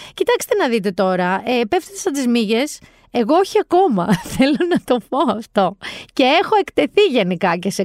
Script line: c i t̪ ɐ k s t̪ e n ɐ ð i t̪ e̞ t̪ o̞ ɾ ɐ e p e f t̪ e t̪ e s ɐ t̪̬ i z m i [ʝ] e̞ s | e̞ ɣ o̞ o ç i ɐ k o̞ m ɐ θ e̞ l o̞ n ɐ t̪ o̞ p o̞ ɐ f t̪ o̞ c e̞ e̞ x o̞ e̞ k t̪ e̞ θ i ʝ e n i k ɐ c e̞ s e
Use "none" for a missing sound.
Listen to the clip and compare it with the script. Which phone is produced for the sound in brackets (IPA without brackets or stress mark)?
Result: ʝ